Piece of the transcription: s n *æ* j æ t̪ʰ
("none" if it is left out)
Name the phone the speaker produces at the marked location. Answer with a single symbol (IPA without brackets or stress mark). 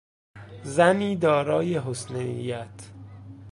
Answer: e